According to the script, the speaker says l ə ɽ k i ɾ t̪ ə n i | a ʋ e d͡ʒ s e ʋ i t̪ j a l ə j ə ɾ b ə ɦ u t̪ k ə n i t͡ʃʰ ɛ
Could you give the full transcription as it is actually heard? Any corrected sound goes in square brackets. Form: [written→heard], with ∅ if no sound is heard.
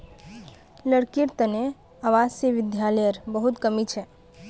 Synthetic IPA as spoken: l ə ɽ k i ɾ t̪ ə n [i→e] | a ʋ [e→a] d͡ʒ s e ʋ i [t̪→d̪] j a l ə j ə ɾ b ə ɦ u t̪ k ə [n→m] i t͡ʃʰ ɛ